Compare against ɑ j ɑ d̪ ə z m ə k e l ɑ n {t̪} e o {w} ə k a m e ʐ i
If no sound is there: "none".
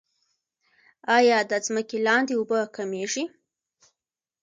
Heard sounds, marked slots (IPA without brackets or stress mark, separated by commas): d̪, b